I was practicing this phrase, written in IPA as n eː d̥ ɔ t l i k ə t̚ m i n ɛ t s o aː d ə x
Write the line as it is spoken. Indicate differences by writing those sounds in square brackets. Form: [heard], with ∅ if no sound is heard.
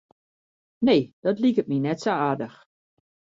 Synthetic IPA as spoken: n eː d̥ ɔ t l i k ə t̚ m i n ɛ t s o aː d ə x